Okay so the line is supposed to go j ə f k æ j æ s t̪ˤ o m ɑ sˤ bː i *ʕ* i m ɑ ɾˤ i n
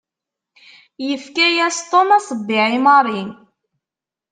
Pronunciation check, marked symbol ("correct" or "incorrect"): correct